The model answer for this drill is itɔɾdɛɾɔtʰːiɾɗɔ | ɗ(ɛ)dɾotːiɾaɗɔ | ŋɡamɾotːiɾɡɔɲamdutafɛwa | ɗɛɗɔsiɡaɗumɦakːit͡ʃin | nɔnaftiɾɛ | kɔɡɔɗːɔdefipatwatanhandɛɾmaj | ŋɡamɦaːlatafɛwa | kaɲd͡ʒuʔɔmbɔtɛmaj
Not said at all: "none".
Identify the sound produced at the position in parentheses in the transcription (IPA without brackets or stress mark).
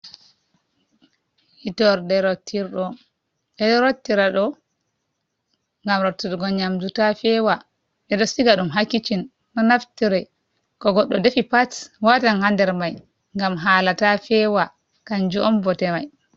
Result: ɛ